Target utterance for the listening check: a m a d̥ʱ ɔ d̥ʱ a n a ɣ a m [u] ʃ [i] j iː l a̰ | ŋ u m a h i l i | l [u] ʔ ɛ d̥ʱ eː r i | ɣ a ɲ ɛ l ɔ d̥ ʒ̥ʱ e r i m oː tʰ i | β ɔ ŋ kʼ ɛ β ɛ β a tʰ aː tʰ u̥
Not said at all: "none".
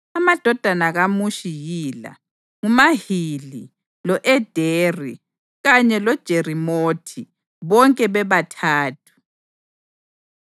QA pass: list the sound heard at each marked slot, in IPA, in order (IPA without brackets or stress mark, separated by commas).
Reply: u, i, ɔ